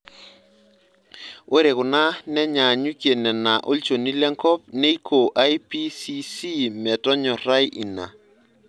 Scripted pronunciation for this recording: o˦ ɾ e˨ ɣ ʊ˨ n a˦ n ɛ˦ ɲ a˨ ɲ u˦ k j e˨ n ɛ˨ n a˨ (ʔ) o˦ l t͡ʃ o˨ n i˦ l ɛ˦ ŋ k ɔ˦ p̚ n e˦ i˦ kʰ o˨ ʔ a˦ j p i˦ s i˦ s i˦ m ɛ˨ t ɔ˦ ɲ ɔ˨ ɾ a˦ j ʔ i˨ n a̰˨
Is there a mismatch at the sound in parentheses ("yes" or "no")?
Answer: no